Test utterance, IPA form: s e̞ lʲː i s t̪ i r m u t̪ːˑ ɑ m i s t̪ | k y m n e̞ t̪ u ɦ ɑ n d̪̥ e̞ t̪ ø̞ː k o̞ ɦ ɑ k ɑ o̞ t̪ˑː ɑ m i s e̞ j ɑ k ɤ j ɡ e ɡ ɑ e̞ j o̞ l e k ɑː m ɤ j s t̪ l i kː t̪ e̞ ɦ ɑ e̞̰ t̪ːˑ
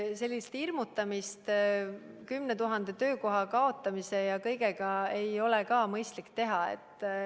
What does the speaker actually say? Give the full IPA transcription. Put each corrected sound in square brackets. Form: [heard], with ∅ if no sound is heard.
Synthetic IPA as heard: s e̞ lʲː i s t̪ i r m u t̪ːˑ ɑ m i s t̪ | k y m n e̞ t̪ u ɦ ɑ n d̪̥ e̞ t̪ ø̞ː k o̞ ɦ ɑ k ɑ o̞ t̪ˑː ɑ m i s e̞ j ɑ k ɤ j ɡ e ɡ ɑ e̞ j o̞ l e k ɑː m ɤ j s t̪ l i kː t̪ e̞ ɦ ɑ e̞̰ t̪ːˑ